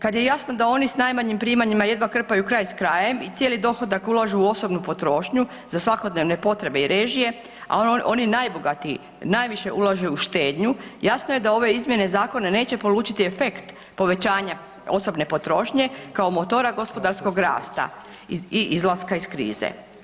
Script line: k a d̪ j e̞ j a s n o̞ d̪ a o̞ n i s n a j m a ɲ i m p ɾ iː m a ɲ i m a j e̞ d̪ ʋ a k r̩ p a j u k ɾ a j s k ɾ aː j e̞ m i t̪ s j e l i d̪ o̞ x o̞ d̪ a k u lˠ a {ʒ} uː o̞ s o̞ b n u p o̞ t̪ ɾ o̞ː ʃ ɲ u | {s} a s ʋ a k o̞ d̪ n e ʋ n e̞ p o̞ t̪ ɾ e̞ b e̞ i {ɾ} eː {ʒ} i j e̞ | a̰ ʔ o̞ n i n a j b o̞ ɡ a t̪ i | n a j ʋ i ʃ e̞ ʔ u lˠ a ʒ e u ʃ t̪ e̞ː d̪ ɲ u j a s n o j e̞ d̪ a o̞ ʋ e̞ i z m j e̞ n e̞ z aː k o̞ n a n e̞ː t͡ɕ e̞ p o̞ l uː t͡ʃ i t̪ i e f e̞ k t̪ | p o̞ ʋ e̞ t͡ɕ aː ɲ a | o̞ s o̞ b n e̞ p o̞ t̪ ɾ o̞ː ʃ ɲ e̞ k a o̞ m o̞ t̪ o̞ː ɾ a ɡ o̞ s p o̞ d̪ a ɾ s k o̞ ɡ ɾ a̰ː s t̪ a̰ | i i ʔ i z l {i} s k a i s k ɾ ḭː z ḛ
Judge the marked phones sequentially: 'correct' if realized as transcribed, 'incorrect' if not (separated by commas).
correct, incorrect, correct, correct, incorrect